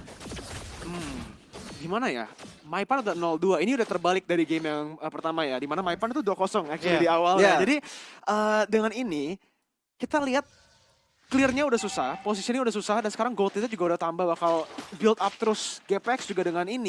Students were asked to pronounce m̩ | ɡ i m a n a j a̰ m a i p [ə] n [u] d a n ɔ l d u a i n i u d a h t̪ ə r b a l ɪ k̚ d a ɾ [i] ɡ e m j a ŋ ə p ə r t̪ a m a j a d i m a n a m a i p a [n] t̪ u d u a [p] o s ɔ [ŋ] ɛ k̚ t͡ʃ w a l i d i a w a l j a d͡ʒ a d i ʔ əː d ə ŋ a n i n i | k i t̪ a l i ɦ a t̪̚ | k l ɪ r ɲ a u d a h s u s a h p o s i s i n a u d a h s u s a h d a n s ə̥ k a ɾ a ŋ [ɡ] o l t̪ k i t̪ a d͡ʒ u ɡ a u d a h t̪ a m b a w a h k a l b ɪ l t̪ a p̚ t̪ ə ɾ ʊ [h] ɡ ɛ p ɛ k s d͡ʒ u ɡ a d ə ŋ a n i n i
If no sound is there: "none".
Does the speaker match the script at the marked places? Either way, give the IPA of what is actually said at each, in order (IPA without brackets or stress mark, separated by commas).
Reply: a, u, i, n, k, ŋ, ɡ, s